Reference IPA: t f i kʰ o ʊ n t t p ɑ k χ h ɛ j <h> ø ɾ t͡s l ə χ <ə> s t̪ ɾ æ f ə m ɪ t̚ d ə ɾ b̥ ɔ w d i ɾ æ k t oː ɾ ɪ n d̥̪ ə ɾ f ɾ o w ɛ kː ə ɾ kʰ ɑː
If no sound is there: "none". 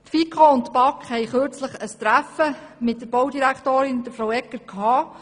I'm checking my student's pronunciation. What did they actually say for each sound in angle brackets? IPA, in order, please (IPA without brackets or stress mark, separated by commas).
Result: χ, ə